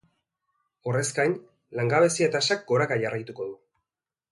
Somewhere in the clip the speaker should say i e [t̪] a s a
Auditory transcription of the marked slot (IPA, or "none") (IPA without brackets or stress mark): t̪